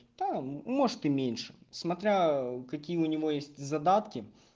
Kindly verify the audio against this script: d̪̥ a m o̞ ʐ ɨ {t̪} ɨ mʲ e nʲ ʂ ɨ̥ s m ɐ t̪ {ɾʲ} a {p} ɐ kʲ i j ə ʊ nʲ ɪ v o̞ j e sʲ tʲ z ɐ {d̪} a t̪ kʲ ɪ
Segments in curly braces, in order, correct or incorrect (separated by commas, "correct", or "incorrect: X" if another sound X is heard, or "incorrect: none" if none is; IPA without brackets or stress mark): correct, correct, incorrect: k, correct